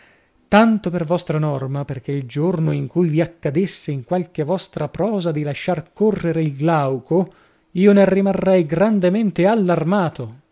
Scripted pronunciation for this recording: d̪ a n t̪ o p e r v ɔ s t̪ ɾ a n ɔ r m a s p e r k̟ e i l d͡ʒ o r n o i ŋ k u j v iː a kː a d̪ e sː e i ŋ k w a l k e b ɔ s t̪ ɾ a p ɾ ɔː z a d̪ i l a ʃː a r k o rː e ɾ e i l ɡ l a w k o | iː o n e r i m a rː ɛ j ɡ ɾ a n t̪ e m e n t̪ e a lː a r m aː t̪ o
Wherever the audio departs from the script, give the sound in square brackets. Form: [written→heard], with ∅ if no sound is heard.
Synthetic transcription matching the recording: [d̪→t̪] a n t̪ o p e r v ɔ s t̪ ɾ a n ɔ r m a [s→∅] p e r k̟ e i l d͡ʒ o r n o i ŋ k u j v [iː→i] a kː a d̪ e sː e i ŋ k w a l k e [b→v] ɔ s t̪ ɾ a p ɾ ɔː z a d̪ i l a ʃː a r k o rː e ɾ e i l ɡ l a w k o | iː o n e r i m a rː ɛ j ɡ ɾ a n [t̪→d̪] e m e n t̪ e a lː a r m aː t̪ o